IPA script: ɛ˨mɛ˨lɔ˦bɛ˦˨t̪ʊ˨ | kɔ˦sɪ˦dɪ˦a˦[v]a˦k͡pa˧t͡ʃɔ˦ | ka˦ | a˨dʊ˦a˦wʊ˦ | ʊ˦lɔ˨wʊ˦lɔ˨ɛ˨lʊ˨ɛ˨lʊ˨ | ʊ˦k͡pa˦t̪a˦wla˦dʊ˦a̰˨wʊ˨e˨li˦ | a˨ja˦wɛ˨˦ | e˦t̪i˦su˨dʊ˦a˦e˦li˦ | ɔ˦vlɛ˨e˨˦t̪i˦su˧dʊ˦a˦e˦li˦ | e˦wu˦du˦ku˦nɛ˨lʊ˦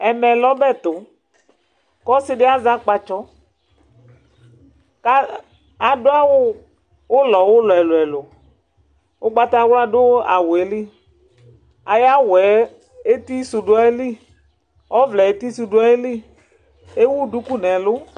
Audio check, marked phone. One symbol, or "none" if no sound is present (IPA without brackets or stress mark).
z